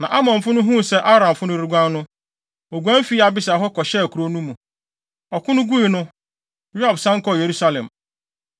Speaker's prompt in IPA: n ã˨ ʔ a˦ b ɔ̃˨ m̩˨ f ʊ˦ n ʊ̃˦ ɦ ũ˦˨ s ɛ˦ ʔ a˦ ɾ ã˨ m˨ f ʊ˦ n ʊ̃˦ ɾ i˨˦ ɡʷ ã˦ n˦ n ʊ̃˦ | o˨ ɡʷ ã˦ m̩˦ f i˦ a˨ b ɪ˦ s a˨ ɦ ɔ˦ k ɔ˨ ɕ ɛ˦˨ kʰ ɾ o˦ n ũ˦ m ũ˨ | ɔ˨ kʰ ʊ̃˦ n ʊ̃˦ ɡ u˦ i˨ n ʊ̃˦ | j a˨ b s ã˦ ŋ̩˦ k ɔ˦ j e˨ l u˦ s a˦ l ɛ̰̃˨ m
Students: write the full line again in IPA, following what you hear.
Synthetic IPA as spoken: n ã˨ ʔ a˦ m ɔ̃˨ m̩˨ f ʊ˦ n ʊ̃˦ ɦ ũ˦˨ s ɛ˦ ʔ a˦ ɾ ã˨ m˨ f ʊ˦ n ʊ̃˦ ɾ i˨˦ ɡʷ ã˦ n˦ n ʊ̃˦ | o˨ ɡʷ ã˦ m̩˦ f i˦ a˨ b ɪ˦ s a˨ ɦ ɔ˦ k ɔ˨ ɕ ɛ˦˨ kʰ ɾ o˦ n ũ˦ m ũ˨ | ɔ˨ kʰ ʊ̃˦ n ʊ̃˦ ɡ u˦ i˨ n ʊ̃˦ | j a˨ b s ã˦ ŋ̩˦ k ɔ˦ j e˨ ɾ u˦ s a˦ l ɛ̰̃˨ m